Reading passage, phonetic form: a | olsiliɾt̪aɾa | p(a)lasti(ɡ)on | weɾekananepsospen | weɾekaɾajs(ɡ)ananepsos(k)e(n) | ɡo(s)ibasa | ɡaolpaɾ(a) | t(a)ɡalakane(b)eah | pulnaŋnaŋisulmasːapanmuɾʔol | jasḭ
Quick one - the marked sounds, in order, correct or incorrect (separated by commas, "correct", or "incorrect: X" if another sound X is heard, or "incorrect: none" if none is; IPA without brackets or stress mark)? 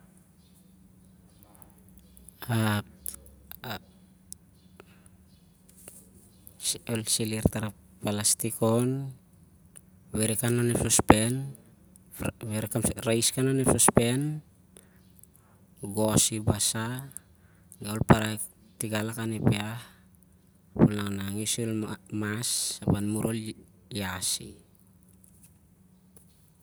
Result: correct, incorrect: k, incorrect: k, incorrect: p, correct, correct, correct, incorrect: i, incorrect: p